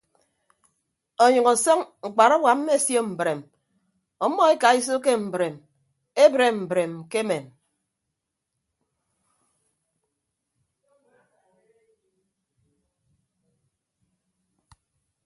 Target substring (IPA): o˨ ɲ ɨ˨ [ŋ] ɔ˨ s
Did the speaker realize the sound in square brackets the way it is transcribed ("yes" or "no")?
yes